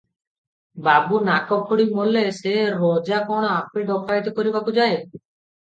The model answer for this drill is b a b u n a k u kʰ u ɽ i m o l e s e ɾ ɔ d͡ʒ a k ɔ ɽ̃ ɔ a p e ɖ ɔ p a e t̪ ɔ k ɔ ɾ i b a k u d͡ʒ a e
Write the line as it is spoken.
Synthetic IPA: b a b u n a k ɔ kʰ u ɽ i m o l e s e ɾ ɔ d͡ʒ a k ɔ ɽ̃ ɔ a p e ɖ ɔ k a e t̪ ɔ k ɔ ɾ i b a k u d͡ʒ a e